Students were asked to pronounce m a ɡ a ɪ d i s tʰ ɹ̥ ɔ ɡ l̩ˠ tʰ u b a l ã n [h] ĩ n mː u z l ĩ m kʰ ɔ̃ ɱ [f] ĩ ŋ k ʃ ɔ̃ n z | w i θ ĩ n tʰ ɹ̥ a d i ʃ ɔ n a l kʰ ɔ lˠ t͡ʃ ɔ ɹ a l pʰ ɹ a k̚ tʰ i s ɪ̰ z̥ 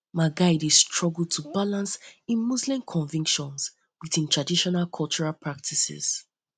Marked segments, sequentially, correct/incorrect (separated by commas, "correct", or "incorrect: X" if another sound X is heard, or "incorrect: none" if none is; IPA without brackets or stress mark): incorrect: s, incorrect: v